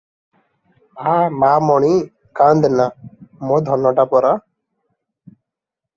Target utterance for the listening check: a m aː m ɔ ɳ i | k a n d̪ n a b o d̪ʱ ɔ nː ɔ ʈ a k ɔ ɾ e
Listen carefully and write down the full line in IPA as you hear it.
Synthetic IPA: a m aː m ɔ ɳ i | k a n d̪ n a m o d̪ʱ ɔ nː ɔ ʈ a p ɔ ɾ a